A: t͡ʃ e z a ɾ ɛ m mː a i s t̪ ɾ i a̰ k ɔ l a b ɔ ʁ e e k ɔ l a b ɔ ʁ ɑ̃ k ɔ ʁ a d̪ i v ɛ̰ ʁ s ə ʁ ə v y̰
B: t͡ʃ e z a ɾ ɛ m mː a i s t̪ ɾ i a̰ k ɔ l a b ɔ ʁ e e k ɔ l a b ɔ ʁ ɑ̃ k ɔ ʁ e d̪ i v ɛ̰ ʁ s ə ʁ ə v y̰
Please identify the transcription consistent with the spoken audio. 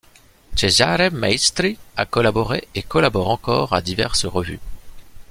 A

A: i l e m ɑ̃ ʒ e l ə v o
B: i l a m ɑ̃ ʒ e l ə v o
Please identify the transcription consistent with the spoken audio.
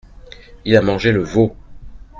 B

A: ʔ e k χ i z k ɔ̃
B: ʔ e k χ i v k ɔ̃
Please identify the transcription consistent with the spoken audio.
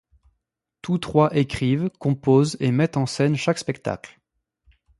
B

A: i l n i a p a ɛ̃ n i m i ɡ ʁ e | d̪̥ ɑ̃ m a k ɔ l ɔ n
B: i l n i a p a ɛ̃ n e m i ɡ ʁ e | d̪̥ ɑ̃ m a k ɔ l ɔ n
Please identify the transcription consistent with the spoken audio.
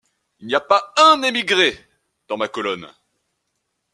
B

